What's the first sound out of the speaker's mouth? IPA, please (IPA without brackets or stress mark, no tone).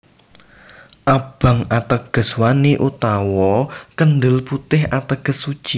ʔ